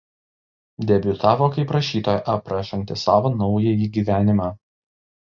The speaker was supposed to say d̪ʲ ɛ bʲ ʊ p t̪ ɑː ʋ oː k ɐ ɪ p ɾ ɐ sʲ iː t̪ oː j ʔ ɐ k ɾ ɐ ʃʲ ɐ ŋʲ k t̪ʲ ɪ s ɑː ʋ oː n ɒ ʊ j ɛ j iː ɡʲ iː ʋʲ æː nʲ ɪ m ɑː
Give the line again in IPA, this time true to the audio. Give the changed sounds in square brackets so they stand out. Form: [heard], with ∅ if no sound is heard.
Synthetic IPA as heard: d̪ʲ ɛ bʲ ʊ [∅] t̪ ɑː ʋ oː k ɐ ɪ p ɾ ɐ [ʃʲ] iː t̪ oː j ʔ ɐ [p] ɾ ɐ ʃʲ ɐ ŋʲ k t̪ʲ ɪ s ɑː ʋ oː n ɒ ʊ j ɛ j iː ɡʲ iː ʋʲ æː nʲ ɪ m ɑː